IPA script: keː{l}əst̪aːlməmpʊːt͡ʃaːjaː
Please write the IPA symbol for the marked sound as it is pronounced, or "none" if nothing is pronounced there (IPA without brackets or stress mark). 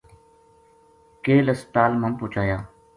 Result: l